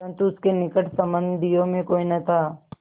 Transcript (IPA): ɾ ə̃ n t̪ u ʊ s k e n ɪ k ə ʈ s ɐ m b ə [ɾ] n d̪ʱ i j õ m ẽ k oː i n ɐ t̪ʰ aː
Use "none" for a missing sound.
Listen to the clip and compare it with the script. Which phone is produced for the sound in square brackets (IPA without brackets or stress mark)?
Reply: none